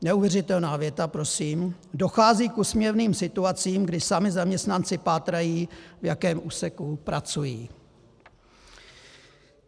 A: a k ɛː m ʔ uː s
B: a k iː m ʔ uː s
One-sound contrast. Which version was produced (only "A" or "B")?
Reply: A